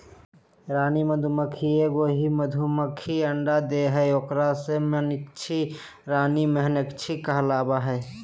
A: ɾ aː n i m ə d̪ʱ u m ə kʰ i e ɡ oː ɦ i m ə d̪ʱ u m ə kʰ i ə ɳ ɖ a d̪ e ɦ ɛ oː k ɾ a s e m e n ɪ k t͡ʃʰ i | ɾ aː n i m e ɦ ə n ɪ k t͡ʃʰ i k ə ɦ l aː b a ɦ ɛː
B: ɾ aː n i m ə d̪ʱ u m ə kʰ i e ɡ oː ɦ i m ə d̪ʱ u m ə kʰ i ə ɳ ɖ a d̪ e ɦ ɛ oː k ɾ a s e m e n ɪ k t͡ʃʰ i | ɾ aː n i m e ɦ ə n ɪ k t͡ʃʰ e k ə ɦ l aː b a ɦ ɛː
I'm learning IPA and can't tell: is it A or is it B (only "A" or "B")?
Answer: A